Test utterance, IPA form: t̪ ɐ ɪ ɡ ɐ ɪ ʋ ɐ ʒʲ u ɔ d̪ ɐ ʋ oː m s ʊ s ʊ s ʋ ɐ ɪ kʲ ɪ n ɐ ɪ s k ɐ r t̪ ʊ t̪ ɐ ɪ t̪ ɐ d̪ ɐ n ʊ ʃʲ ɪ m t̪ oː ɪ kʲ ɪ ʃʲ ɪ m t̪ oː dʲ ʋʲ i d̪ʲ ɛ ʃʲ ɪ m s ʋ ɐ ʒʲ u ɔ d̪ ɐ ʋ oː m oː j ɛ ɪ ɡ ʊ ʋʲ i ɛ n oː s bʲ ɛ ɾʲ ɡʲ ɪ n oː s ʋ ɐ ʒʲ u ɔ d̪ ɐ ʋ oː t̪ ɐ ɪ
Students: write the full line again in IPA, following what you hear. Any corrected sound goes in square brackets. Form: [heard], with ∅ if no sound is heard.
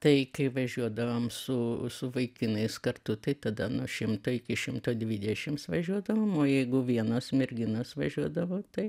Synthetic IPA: t̪ ɐ ɪ [k] ɐ ɪ ʋ ɐ ʒʲ u ɔ d̪ ɐ ʋ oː m s ʊ s ʊ [∅] ʋ ɐ ɪ kʲ ɪ n ɐ ɪ s k ɐ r t̪ ʊ t̪ ɐ ɪ t̪ ɐ d̪ ɐ n ʊ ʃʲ ɪ m t̪ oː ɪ kʲ ɪ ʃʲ ɪ m t̪ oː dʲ ʋʲ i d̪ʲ ɛ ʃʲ ɪ m s ʋ ɐ ʒʲ u ɔ d̪ ɐ ʋ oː m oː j ɛ ɪ ɡ ʊ ʋʲ i ɛ n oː s [mʲ] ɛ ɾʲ ɡʲ ɪ n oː s ʋ ɐ ʒʲ u ɔ d̪ ɐ ʋ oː t̪ ɐ ɪ

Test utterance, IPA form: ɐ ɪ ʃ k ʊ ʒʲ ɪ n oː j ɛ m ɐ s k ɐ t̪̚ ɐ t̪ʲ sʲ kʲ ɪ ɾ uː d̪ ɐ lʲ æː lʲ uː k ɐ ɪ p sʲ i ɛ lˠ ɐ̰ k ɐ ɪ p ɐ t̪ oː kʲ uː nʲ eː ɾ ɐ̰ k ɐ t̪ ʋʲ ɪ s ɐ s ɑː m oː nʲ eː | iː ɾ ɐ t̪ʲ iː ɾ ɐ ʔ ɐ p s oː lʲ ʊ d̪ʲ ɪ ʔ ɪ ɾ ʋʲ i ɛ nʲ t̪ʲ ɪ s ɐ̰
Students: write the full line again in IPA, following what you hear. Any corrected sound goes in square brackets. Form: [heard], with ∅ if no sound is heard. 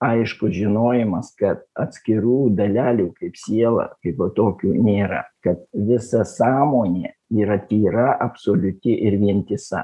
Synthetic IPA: ɐ ɪ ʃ k ʊ ʒʲ ɪ n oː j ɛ m ɐ s k ɐ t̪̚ ɐ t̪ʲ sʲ kʲ ɪ ɾ uː d̪ ɐ lʲ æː lʲ uː k ɐ ɪ p sʲ i ɛ lˠ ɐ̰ k ɐ ɪ p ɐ t̪ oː kʲ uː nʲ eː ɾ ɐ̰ k ɐ t̪ ʋʲ ɪ s ɐ s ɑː m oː nʲ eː | iː ɾ ɐ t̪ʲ iː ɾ ɐ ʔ ɐ p s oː lʲ ʊ [t̪ʲ] ɪ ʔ ɪ ɾ ʋʲ i ɛ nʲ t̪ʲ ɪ s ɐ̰

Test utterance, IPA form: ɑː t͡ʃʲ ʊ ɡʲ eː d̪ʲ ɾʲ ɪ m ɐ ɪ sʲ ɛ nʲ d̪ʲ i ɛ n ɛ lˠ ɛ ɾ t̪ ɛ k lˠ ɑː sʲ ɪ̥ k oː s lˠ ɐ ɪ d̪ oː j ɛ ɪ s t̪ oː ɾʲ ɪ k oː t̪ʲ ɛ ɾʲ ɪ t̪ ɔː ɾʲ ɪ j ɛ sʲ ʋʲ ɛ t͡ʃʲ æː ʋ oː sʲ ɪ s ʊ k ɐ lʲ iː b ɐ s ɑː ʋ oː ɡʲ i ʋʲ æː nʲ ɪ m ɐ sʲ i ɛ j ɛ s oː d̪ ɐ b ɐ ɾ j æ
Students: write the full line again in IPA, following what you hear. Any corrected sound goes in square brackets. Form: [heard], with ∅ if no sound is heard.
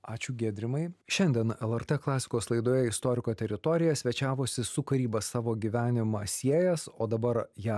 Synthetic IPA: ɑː t͡ʃʲ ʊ ɡʲ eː d̪ʲ ɾʲ ɪ m ɐ ɪ [ʃʲ] ɛ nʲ d̪ʲ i ɛ n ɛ lˠ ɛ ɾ t̪ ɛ k lˠ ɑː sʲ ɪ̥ k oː s lˠ ɐ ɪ d̪ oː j ɛ ɪ s t̪ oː ɾʲ ɪ k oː t̪ʲ ɛ ɾʲ ɪ t̪ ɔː ɾʲ ɪ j ɛ sʲ ʋʲ ɛ t͡ʃʲ æː ʋ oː sʲ ɪ s ʊ k ɐ [ɾʲ] iː b ɐ s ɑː ʋ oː ɡʲ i ʋʲ æː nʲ ɪ m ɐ sʲ i ɛ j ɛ s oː d̪ ɐ b ɐ ɾ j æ

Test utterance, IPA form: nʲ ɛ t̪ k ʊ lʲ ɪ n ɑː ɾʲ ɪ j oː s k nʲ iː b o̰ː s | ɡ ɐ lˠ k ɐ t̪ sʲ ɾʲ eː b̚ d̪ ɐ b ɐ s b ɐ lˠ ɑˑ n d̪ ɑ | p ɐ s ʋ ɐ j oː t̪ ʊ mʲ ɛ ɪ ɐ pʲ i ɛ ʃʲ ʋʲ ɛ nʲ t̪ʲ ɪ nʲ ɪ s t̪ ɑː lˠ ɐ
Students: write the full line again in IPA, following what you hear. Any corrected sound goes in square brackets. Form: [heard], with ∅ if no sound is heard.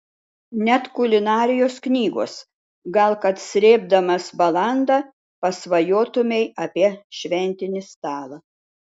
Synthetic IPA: nʲ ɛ t̪ k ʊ lʲ ɪ n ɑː ɾʲ ɪ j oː s k nʲ iː [ɡ] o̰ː s | ɡ ɐ lˠ k ɐ t̪ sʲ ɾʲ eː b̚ d̪ ɐ [m] ɐ s b ɐ lˠ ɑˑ n d̪ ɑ | p ɐ s ʋ ɐ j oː t̪ ʊ mʲ ɛ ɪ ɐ pʲ i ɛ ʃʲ ʋʲ ɛ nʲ t̪ʲ ɪ nʲ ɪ s t̪ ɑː lˠ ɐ

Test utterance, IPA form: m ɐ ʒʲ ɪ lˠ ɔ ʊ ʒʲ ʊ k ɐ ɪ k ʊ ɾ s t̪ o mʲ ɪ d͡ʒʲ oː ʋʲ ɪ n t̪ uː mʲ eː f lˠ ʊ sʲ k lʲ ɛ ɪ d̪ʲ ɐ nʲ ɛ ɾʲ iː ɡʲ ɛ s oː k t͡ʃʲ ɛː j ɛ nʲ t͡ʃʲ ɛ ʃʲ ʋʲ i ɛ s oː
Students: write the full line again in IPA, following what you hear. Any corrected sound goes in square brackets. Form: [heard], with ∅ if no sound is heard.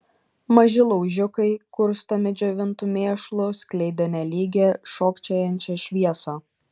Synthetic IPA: m ɐ ʒʲ ɪ lˠ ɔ ʊ ʒʲ ʊ k ɐ ɪ k ʊ ɾ s t̪ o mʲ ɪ d͡ʒʲ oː ʋʲ ɪ n t̪ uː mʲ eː [ʃ] lˠ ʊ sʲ k lʲ ɛ ɪ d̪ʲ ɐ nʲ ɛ [lʲ] iː ɡʲ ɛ [ʃ] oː k t͡ʃʲ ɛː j ɛ nʲ t͡ʃʲ ɛ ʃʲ ʋʲ i ɛ s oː

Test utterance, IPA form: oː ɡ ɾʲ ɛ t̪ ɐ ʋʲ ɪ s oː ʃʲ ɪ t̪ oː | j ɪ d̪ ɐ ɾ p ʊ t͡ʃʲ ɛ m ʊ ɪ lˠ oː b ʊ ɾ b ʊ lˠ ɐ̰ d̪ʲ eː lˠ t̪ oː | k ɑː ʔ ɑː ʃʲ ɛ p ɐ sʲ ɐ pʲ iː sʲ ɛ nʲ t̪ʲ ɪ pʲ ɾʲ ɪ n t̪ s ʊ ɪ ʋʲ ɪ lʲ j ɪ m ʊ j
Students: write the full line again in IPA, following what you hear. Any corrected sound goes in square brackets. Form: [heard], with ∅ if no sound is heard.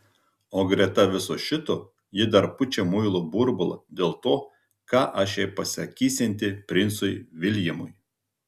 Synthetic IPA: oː ɡ ɾʲ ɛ t̪ ɐ ʋʲ ɪ s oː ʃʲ ɪ t̪ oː | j ɪ d̪ ɐ ɾ p ʊ t͡ʃʲ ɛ m ʊ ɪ lˠ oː b ʊ ɾ b ʊ lˠ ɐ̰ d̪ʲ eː lˠ t̪ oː | k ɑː ʔ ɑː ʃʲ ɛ p ɐ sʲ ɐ [kʲ] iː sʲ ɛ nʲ t̪ʲ ɪ pʲ ɾʲ ɪ n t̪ s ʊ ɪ ʋʲ ɪ lʲ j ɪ m ʊ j

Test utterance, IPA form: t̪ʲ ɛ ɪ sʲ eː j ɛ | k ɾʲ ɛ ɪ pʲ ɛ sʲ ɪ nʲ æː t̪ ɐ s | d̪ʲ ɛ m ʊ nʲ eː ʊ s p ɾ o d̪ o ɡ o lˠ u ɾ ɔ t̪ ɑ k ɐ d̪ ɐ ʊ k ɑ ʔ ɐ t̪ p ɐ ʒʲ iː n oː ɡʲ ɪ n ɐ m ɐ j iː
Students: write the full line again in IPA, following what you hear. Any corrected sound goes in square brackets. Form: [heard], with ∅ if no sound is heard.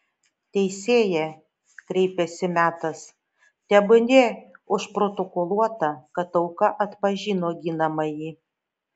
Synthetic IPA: t̪ʲ ɛ ɪ sʲ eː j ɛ | k ɾʲ ɛ ɪ pʲ ɛ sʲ ɪ [mʲ] æː t̪ ɐ s | [t̪ʲ] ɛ [b] ʊ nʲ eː ʊ [ʃ] p ɾ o [t̪] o [k] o lˠ u [∅] ɔ t̪ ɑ k ɐ [t̪] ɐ ʊ k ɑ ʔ ɐ t̪ p ɐ ʒʲ iː n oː ɡʲ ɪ n ɐ m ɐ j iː

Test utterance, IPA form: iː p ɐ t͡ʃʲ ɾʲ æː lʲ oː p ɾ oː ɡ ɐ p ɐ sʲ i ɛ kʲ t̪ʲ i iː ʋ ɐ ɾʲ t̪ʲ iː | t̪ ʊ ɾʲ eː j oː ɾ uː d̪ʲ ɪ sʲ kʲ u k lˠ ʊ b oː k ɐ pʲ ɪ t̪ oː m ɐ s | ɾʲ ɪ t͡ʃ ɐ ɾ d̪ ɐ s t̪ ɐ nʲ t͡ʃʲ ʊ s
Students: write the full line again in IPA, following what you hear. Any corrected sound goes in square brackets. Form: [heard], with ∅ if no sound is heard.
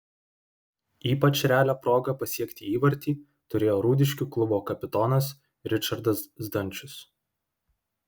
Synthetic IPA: iː p ɐ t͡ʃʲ ɾʲ æː lʲ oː p ɾ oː ɡ ɐ p ɐ sʲ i ɛ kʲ t̪ʲ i iː ʋ ɐ ɾʲ t̪ʲ iː | t̪ ʊ ɾʲ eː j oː ɾ uː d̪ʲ ɪ [ʃʲ] kʲ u k lˠ ʊ b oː k ɐ pʲ ɪ t̪ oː [n] ɐ s | ɾʲ ɪ t͡ʃ ɐ ɾ d̪ ɐ s [d̪] ɐ nʲ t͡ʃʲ ʊ s

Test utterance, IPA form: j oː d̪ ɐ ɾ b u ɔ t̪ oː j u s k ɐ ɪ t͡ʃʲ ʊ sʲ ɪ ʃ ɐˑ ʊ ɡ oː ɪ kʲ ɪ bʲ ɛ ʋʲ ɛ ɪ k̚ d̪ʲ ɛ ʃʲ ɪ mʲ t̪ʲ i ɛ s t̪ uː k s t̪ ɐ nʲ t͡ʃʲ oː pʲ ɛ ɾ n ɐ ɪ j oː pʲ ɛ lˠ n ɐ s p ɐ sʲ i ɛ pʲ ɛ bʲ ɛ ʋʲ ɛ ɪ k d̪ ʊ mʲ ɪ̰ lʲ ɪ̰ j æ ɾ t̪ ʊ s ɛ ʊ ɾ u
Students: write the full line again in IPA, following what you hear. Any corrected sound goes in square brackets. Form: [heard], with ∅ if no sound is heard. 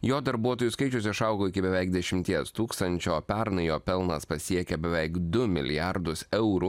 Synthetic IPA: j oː d̪ ɐ ɾ b u ɔ t̪ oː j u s k ɐ ɪ t͡ʃʲ ʊ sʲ ɪ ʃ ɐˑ ʊ ɡ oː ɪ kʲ ɪ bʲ ɛ ʋʲ ɛ ɪ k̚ d̪ʲ ɛ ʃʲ ɪ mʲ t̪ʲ i ɛ s t̪ uː k s t̪ ɐ nʲ t͡ʃʲ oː pʲ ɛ ɾ n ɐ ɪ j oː pʲ ɛ lˠ n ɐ s p ɐ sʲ i ɛ [kʲ] ɛ bʲ ɛ ʋʲ ɛ ɪ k d̪ ʊ mʲ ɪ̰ lʲ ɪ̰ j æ ɾ [d̪] ʊ s ɛ ʊ ɾ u

